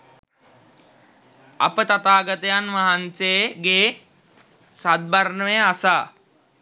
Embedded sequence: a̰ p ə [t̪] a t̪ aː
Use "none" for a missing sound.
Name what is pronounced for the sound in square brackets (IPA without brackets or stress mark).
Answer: t̪